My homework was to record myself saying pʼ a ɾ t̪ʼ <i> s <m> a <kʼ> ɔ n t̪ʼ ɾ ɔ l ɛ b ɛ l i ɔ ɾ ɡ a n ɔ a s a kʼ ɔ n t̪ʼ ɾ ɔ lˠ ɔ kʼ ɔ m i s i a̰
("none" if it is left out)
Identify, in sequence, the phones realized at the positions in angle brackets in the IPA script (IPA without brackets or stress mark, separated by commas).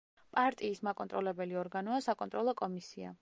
iː, m, kʼ